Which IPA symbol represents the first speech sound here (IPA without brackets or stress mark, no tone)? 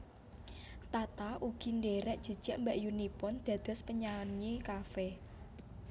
t̪